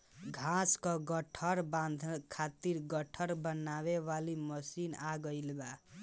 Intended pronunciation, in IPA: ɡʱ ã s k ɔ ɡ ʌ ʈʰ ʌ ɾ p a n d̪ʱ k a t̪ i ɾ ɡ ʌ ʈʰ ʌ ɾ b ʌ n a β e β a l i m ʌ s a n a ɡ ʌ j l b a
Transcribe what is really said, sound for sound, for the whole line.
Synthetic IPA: ɡʱ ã s k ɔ ɡ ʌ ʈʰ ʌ ɾ b a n d̪ʱ kʰ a t̪ i ɾ ɡ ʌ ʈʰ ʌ ɾ b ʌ n a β e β a l i m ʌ s i n a ɡ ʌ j l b a